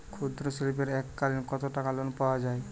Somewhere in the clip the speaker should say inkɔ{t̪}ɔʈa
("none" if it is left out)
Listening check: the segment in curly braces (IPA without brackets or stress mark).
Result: t̪